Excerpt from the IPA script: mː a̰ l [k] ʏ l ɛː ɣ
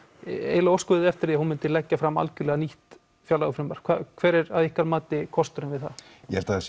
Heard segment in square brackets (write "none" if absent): c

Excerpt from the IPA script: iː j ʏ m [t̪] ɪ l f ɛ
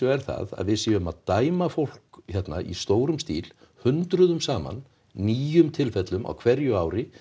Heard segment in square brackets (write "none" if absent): t̪ʰ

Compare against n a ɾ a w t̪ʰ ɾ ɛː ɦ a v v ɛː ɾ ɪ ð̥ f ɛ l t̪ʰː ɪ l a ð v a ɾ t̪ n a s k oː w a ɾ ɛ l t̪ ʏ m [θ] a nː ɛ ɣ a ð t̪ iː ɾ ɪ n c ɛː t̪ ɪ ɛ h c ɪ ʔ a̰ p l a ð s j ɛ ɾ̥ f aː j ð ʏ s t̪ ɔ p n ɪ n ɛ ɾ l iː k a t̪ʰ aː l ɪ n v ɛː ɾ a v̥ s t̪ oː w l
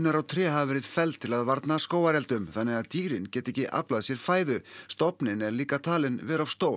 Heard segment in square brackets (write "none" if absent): θ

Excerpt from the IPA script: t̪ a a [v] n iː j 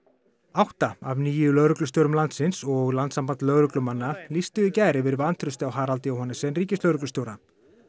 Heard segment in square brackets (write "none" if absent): v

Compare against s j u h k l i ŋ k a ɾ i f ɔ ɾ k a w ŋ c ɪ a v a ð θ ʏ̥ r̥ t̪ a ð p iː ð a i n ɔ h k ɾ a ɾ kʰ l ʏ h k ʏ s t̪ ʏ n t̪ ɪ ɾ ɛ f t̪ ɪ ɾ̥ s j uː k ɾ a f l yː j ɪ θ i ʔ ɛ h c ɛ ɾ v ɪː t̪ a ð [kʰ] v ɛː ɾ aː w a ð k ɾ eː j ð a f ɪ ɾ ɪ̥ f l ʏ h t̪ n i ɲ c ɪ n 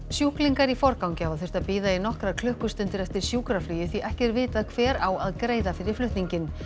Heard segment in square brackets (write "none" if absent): kʰ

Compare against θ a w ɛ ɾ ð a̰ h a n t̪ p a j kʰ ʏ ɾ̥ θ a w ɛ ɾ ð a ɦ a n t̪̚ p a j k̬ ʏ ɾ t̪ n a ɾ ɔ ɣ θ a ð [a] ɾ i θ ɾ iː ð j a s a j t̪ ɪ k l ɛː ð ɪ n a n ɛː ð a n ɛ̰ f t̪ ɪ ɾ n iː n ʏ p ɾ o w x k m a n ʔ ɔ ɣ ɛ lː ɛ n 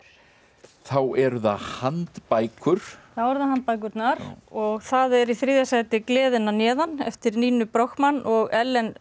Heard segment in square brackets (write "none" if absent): ɛ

